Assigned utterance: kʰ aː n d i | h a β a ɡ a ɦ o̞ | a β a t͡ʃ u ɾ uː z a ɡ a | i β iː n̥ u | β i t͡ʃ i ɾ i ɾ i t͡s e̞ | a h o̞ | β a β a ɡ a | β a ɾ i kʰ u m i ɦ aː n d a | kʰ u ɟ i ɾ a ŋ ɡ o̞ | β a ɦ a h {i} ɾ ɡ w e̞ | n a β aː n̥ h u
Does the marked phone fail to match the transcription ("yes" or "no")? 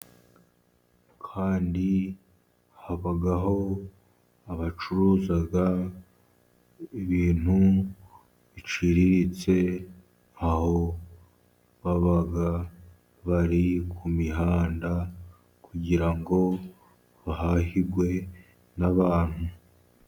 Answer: no